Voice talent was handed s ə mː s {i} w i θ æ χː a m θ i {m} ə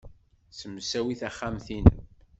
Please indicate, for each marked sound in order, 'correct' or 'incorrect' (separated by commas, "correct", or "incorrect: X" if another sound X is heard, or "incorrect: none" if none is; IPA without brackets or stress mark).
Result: incorrect: æ, incorrect: n